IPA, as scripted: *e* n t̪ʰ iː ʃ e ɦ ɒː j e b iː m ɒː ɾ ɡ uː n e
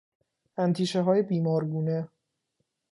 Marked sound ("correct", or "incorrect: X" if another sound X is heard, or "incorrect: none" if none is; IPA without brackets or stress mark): incorrect: æ